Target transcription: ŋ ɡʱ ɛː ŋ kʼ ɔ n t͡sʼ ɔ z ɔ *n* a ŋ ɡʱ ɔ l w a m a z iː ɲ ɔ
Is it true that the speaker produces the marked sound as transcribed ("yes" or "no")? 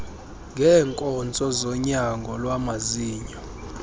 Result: no